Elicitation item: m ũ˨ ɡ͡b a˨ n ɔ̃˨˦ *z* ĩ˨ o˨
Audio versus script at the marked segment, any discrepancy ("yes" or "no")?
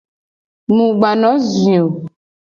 no